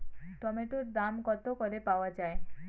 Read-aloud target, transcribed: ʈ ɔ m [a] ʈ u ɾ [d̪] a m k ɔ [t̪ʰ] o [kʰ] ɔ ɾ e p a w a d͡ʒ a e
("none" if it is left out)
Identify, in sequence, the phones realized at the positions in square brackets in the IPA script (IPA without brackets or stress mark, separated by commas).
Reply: e, d̪, t̪, k